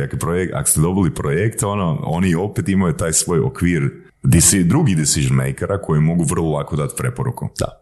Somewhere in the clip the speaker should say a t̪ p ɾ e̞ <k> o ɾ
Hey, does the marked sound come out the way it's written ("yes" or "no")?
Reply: no